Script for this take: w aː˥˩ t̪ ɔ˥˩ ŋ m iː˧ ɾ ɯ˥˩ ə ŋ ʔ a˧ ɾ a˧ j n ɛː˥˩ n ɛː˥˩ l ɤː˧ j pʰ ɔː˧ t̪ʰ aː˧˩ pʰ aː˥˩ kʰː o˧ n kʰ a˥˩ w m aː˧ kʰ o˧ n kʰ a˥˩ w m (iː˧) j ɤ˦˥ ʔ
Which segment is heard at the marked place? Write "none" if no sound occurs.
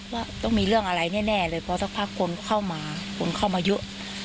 aː˧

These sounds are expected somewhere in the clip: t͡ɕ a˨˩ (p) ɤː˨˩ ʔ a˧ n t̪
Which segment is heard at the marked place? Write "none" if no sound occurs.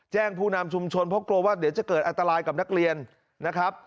k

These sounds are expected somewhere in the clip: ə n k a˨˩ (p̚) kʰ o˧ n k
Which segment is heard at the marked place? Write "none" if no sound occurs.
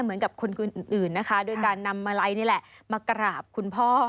p̚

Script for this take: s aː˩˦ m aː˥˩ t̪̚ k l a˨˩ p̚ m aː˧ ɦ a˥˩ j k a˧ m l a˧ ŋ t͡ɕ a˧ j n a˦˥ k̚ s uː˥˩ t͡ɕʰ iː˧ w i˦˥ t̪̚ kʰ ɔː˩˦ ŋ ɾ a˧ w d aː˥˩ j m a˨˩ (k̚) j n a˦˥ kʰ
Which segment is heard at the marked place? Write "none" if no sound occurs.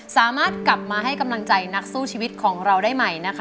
none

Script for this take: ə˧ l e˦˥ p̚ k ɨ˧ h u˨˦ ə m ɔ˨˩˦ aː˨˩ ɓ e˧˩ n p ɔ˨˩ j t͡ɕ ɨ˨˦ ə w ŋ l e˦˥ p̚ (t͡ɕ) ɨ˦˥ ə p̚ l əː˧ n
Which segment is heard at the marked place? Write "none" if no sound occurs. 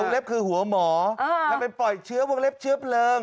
t͡ɕ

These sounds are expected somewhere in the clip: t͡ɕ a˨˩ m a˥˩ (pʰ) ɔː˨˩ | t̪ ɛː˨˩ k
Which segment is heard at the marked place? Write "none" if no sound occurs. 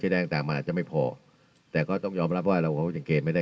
pʰ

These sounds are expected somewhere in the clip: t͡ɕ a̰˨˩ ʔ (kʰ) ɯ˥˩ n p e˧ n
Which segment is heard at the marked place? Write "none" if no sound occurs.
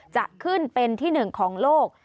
kʰ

